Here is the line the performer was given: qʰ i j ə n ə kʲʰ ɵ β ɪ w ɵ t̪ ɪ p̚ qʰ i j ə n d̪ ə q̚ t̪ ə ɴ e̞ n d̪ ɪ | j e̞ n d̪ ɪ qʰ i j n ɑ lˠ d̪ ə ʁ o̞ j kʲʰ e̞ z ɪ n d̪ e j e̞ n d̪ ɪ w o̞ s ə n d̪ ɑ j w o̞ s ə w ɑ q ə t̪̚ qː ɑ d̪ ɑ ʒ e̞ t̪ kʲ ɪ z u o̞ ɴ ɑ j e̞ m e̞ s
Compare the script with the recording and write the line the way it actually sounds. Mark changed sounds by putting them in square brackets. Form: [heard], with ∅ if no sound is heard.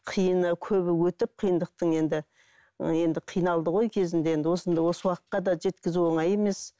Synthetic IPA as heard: qʰ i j ə n ə kʲʰ ɵ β ɪ w ɵ t̪ ɪ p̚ qʰ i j ə n d̪ ə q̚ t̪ ə ɴ e̞ n d̪ ɪ | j e̞ n d̪ ɪ qʰ i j n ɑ lˠ d̪ ə ʁ o̞ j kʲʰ e̞ z ɪ n d̪ e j e̞ n d̪ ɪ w o̞ s ə n d̪ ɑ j w o̞ s ə w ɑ q ə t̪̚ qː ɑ d̪ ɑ ʒ e̞ t̪ kʲ ɪ z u o̞ ɴ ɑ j e̞ m e̞ s